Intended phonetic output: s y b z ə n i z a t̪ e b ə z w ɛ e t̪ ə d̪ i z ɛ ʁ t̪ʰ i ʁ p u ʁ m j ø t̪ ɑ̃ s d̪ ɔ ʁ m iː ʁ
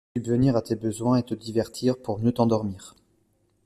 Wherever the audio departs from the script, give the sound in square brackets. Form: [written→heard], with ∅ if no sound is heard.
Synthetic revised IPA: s y b [z→v] ə n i [z→ʁ] a t̪ e b ə z w [ɛ→ɛ̃] e t̪ ə d̪ i [z→v] ɛ ʁ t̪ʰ i ʁ p u ʁ m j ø t̪ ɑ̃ [s→∅] d̪ ɔ ʁ m iː ʁ